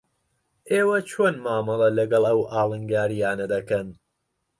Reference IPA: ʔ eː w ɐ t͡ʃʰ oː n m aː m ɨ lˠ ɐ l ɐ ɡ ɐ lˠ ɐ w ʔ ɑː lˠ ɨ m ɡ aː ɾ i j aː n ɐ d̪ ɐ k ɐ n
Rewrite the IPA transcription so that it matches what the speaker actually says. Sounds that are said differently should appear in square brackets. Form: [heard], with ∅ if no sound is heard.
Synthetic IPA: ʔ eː w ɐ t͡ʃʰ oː n m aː m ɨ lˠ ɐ l ɐ ɡ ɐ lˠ ɐ w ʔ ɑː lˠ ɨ [ŋ] ɡ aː ɾ i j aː n ɐ d̪ ɐ k ɐ n